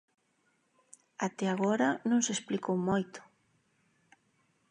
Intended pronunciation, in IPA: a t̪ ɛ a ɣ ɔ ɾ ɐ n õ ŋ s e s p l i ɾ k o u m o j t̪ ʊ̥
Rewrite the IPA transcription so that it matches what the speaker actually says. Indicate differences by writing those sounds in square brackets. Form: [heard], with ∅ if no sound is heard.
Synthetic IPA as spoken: a t̪ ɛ a ɣ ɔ ɾ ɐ n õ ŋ s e s p l i [∅] k o [w] m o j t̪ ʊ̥